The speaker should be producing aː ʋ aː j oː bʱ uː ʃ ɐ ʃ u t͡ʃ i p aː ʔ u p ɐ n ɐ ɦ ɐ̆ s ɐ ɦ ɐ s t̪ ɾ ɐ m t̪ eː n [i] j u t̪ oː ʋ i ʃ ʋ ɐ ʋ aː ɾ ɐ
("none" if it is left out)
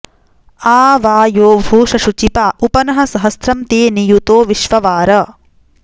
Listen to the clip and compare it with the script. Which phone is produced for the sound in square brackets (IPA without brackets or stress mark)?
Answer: i